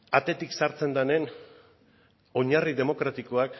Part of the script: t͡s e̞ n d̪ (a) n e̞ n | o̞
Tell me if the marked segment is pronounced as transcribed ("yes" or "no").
yes